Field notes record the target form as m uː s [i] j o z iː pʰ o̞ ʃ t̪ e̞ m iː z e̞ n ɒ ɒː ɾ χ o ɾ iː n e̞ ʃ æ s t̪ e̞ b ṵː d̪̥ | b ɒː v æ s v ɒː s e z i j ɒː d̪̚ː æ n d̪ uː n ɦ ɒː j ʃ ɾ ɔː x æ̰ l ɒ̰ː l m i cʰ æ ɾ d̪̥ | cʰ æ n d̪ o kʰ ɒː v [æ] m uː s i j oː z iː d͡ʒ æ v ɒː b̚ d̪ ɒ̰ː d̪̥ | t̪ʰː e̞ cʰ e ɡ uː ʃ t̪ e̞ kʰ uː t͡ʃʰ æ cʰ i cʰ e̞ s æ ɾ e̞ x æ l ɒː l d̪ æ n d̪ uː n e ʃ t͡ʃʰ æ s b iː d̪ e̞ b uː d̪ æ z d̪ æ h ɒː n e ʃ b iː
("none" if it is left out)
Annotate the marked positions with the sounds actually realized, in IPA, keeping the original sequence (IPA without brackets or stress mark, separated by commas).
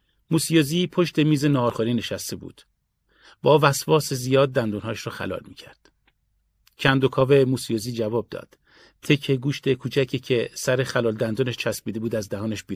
i, e